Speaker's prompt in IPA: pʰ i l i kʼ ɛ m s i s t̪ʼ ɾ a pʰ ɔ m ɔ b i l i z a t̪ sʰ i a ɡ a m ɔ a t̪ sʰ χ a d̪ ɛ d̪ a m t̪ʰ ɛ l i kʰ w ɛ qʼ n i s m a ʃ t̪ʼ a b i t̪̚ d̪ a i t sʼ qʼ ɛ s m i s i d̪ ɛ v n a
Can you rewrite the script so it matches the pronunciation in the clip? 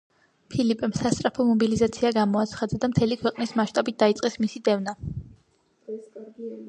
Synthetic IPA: pʰ i l i pʼ ɛ m s a s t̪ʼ ɾ a pʰ ɔ m ɔ b i l i z a t̪ sʰ i a ɡ a m ɔ a t̪ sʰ χ a d̪ a d̪ a m t̪ʰ ɛ l i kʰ w ɛ qʼ n i s m a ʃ t̪ʼ a b i t̪̚ d̪ a i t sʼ qʼ ɛ s m i s i d̪ ɛ v n a